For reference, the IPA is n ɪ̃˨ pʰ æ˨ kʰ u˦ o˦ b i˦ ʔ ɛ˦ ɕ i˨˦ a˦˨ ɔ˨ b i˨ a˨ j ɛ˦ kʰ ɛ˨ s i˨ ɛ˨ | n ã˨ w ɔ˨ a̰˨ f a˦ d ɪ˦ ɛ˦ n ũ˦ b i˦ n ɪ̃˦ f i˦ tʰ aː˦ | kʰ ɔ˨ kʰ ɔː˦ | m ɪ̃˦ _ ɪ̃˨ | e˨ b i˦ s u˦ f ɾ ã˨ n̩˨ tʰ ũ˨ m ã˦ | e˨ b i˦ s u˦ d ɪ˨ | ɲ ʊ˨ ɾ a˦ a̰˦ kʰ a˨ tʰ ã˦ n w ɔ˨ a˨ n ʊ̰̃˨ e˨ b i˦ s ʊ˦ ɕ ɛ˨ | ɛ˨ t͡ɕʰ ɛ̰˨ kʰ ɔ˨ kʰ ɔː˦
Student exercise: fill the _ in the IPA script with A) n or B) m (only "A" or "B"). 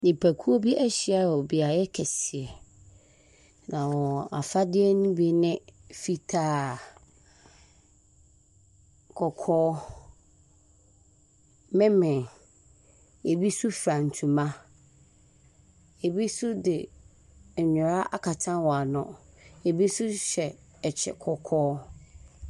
B